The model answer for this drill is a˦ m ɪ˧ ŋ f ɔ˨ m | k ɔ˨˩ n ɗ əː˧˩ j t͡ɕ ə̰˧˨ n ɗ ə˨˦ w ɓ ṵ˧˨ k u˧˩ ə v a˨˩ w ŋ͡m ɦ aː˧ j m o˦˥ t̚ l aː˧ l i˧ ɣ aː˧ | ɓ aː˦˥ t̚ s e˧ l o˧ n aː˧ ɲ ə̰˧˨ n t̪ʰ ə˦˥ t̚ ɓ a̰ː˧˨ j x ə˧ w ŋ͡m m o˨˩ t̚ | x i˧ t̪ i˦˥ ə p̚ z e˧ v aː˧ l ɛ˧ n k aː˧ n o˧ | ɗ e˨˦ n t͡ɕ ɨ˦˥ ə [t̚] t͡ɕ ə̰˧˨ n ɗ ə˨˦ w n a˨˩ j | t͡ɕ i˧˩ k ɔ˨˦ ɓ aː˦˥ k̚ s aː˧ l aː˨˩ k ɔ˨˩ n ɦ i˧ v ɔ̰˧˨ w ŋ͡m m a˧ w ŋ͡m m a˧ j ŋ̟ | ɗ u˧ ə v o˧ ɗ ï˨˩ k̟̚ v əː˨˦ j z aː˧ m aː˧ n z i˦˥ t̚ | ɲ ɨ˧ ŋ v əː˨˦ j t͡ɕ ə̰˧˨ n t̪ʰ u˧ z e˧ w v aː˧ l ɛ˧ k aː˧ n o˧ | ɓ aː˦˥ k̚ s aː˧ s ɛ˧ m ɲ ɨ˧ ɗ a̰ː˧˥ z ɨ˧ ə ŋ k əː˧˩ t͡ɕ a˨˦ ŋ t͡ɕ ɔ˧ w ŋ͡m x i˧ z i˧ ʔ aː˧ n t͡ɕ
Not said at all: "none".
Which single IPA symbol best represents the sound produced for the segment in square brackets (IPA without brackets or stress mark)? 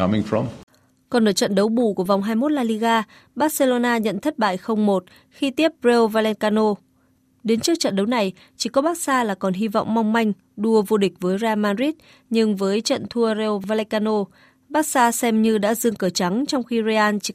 k̚